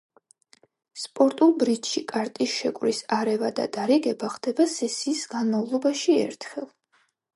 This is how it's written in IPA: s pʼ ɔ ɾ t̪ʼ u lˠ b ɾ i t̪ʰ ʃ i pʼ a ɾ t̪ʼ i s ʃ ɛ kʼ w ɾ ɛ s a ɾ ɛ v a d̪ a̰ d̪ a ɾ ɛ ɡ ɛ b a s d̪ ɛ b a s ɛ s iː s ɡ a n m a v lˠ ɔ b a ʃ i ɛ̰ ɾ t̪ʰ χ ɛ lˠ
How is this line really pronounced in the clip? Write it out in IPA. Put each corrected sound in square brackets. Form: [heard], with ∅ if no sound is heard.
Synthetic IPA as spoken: s pʼ ɔ ɾ t̪ʼ u lˠ b ɾ i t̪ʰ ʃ i [kʼ] a ɾ t̪ʼ i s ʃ ɛ kʼ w ɾ [i] s a ɾ ɛ v a d̪ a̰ d̪ a ɾ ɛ ɡ ɛ b a [χ] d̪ ɛ b a s ɛ s iː s ɡ a n m a v lˠ ɔ b a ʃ i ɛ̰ ɾ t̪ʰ χ ɛ lˠ